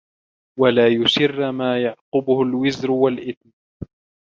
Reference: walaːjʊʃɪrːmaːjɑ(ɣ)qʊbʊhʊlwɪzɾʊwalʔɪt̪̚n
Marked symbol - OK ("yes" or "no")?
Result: no